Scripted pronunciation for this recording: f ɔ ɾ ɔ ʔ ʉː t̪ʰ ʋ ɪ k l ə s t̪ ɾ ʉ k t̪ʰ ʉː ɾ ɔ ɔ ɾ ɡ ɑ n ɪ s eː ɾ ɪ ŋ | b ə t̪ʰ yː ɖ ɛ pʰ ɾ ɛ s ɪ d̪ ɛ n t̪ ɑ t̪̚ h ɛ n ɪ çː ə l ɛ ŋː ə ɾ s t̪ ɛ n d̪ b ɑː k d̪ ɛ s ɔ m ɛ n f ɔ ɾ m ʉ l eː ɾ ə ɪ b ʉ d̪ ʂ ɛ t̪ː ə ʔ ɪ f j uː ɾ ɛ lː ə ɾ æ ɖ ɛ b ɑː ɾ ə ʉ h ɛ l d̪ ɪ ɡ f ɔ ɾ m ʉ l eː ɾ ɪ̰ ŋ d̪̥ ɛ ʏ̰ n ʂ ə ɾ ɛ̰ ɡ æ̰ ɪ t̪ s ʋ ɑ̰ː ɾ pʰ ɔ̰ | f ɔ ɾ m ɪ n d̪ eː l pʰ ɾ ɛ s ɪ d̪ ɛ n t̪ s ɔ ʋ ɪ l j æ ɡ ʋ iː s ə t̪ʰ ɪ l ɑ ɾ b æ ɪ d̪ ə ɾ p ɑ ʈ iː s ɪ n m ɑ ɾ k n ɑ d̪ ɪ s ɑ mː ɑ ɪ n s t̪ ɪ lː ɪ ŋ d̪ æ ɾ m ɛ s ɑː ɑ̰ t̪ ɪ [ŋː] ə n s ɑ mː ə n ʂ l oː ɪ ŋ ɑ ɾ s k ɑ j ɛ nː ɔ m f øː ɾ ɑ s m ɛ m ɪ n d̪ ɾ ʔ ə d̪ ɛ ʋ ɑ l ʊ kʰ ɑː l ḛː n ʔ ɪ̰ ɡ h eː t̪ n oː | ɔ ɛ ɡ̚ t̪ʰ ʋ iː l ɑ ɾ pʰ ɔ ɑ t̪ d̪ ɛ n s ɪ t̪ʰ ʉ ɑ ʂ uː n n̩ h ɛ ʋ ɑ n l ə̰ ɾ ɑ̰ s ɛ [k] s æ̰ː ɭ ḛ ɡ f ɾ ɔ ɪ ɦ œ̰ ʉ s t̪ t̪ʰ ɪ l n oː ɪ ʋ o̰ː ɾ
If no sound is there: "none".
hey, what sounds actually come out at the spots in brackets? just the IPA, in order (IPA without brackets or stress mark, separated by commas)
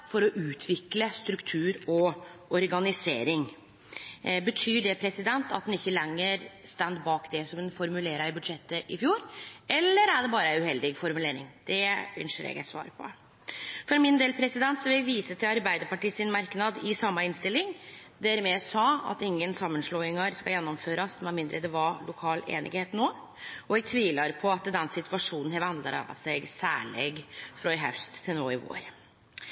ŋː, ɡ